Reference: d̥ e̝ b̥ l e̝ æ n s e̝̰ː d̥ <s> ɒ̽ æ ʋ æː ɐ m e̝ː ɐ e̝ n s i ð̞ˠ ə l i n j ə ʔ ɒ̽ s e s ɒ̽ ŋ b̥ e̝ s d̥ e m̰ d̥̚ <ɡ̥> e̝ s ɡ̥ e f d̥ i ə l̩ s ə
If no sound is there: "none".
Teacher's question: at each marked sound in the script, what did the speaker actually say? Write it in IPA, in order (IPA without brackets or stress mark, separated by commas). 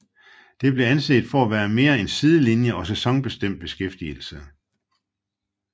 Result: f, b̥